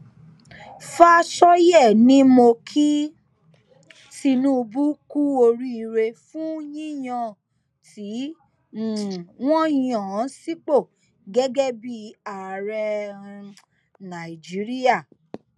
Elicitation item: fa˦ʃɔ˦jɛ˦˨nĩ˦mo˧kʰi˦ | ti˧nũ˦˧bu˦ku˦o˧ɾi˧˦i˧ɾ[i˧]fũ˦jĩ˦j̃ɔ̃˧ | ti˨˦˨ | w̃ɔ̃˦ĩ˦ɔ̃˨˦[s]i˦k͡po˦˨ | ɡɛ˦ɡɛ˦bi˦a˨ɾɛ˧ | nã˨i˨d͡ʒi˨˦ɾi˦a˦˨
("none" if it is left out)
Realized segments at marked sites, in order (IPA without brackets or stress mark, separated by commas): e˧, s